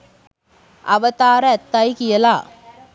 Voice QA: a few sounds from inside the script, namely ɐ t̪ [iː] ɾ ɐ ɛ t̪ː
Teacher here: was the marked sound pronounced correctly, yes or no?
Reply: no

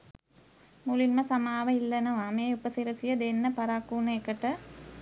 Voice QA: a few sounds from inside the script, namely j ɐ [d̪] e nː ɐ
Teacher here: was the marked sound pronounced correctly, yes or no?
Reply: yes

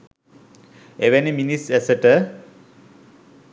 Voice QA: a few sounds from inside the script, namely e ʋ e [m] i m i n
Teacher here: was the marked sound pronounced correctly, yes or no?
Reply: no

